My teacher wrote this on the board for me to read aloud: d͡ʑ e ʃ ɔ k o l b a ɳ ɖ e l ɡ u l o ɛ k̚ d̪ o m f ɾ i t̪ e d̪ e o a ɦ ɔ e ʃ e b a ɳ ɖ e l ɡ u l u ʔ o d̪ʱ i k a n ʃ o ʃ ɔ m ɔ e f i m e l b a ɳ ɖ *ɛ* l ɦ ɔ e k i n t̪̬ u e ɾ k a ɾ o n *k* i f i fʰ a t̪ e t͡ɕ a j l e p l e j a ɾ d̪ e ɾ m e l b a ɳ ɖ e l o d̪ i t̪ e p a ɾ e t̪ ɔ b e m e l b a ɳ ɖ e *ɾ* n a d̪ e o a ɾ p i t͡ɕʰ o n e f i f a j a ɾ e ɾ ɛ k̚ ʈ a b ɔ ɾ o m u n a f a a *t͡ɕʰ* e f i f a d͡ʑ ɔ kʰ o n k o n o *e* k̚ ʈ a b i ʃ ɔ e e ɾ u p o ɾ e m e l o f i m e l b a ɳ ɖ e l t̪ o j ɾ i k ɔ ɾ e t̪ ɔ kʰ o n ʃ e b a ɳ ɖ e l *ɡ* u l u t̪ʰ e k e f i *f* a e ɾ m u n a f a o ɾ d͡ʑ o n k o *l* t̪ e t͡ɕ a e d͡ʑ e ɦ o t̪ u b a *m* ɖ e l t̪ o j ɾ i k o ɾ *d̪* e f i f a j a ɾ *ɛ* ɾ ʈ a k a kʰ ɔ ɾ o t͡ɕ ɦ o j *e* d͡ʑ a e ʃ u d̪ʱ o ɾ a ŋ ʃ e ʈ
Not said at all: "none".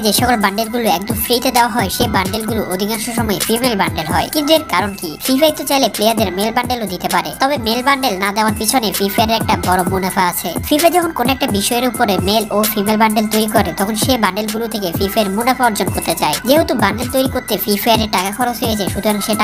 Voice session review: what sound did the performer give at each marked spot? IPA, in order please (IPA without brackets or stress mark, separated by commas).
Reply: e, k, l, t͡ɕʰ, ɛ, ɡ, f, ɾ, ɳ, t̪, e, e